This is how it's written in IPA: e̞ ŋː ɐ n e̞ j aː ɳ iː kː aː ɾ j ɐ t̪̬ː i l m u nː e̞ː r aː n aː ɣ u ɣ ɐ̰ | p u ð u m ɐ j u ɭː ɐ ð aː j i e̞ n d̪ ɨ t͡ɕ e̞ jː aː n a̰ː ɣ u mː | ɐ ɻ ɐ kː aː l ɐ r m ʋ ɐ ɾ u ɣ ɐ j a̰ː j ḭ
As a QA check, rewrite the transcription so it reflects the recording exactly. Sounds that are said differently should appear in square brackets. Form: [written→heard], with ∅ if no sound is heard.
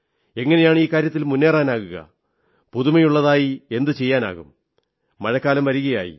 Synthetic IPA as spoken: e̞ ŋː ɐ n e̞ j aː ɳ iː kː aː ɾ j ɐ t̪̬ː i l m u nː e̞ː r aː n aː ɣ u ɣ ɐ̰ | p u ð u m ɐ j u ɭː ɐ ð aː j i e̞ n d̪ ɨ t͡ɕ e̞ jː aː n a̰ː ɣ u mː | ɐ ɻ ɐ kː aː l ɐ [r→∅] m ʋ ɐ ɾ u ɣ ɐ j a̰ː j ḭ